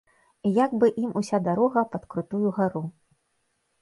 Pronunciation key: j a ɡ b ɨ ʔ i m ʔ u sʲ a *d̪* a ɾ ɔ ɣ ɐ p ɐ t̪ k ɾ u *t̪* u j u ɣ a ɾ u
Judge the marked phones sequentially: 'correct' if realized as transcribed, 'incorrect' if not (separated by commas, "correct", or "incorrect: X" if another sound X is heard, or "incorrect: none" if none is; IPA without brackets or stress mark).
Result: correct, correct